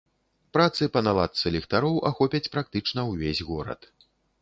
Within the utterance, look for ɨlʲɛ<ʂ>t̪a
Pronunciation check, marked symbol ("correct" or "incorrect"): incorrect